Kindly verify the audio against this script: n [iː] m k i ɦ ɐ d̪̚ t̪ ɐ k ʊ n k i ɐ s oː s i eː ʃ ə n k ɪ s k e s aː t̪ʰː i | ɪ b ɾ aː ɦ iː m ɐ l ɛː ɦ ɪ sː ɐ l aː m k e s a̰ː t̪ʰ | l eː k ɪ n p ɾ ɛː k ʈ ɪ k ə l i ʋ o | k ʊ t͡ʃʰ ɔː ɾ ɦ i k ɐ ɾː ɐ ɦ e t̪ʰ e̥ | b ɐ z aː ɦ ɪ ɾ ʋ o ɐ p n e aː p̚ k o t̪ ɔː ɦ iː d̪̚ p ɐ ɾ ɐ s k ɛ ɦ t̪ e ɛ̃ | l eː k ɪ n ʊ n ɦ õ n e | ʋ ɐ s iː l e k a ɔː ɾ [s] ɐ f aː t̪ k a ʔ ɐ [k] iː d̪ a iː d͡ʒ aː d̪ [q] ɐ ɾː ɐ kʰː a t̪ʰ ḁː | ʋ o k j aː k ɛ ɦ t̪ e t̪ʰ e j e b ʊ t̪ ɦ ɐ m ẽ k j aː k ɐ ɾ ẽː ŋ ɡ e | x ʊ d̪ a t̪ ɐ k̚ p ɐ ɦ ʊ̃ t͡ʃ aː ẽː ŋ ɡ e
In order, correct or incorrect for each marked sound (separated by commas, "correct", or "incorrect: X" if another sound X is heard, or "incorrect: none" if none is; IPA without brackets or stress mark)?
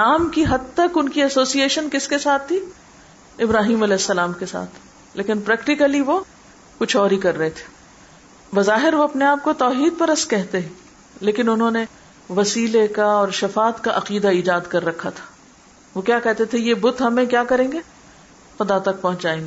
incorrect: aː, incorrect: ʃ, incorrect: q, incorrect: k